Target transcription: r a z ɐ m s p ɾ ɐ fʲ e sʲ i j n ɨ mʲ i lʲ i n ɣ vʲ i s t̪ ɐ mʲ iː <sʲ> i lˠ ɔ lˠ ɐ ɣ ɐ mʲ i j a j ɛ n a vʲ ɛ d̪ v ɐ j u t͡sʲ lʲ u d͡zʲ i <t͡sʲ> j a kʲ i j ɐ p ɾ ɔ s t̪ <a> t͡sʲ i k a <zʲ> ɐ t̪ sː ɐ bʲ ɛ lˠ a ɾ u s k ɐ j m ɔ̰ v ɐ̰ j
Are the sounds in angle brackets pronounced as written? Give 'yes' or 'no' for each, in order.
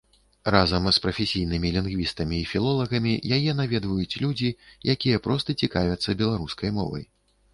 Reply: no, no, no, no

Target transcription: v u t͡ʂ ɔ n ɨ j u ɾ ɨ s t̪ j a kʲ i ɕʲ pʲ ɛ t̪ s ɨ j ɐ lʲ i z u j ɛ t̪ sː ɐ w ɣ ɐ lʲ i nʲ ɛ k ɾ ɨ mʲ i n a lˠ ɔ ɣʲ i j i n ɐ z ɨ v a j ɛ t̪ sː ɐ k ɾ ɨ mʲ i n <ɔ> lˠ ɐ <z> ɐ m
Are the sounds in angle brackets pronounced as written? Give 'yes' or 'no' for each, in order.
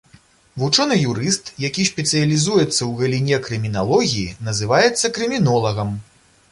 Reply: yes, no

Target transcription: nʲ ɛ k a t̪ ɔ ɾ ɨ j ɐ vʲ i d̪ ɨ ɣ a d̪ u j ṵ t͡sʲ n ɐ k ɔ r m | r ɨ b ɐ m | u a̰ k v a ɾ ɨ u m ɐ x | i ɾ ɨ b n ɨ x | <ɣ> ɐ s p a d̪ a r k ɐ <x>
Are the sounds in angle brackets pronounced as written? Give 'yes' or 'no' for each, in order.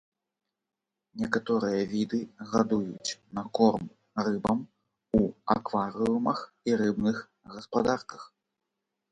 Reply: yes, yes

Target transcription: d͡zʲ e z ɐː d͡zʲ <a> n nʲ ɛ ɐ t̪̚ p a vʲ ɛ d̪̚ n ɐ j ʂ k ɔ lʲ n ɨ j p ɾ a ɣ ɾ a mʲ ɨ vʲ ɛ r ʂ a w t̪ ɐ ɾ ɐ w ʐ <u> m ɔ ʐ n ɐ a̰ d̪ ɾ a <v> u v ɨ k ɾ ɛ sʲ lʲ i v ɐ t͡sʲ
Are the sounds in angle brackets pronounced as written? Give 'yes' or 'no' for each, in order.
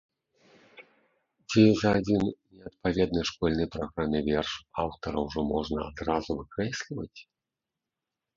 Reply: no, no, no

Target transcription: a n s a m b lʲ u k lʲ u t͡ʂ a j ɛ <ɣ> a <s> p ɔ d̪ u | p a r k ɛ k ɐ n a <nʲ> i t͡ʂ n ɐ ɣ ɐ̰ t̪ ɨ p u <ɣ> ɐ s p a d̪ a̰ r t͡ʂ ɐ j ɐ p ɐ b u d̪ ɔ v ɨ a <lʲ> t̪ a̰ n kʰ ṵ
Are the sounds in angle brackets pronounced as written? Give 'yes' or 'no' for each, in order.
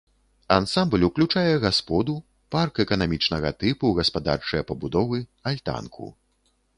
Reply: yes, yes, no, yes, yes

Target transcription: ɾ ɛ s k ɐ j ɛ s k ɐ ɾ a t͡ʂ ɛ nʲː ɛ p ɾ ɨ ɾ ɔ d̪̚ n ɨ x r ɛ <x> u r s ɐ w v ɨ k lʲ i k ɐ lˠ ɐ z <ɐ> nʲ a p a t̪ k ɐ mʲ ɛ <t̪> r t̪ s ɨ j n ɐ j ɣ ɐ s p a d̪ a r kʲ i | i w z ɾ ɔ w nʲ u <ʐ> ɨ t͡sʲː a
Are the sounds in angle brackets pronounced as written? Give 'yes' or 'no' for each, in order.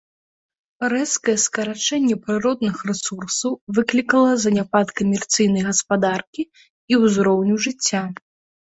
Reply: no, yes, no, yes

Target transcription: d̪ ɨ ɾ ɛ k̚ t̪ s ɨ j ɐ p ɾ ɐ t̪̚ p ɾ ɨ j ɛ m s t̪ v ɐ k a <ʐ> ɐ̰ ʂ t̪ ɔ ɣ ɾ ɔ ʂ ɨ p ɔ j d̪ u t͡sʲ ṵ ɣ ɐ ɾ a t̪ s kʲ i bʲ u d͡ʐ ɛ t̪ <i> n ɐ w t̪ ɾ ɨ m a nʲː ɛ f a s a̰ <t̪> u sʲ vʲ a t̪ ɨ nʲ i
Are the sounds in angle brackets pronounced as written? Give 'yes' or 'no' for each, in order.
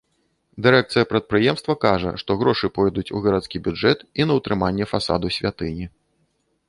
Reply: yes, yes, no

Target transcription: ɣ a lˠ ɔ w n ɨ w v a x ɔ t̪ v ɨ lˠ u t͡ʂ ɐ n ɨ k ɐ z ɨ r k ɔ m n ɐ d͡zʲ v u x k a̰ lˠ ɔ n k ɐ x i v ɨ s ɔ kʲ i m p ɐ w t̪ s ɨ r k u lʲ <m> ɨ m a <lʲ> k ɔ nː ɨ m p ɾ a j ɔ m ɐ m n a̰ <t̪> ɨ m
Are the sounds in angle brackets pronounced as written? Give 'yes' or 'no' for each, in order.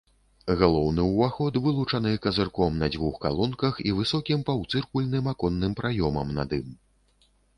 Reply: no, no, no

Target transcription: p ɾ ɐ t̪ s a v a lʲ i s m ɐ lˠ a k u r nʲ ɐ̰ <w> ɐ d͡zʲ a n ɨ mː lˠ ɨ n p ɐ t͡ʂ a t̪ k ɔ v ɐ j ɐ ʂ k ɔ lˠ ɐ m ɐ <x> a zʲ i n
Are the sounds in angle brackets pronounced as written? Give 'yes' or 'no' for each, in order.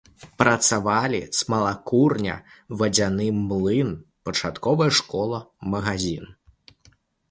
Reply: no, no

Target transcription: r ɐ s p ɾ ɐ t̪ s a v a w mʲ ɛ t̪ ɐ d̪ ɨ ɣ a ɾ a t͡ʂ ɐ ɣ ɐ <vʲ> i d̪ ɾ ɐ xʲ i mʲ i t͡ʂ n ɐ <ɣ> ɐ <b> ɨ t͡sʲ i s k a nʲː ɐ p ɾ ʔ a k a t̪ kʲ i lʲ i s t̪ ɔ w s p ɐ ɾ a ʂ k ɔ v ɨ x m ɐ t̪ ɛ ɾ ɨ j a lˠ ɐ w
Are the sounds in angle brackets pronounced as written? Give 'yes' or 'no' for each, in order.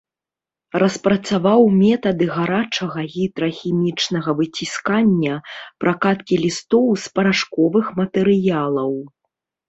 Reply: no, yes, no

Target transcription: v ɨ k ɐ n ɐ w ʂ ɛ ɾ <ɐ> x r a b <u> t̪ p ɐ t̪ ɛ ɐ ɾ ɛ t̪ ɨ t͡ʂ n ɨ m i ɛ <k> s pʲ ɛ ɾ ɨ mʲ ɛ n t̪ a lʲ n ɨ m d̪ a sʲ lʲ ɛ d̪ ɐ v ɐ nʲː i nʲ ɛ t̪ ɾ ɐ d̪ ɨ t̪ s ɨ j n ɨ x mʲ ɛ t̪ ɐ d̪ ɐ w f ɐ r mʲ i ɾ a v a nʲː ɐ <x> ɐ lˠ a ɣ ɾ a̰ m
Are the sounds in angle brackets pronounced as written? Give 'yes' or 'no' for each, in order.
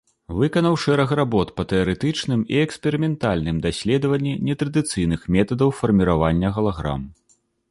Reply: yes, no, yes, no

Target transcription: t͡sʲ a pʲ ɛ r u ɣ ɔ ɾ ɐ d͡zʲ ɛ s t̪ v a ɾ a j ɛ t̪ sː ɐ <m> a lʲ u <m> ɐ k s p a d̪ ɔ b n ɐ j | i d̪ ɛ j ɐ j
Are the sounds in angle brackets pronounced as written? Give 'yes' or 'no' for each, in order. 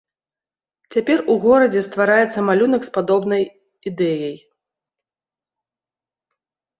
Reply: yes, no

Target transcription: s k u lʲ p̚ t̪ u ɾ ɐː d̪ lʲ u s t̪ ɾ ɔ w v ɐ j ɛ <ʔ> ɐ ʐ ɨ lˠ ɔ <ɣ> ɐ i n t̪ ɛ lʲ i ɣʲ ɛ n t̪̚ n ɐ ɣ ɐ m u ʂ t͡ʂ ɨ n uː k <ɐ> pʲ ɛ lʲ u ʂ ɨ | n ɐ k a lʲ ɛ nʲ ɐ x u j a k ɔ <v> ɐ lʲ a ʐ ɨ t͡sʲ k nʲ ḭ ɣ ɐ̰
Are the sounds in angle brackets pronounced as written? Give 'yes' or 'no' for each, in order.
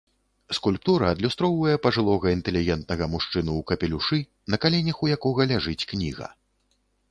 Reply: no, yes, yes, no

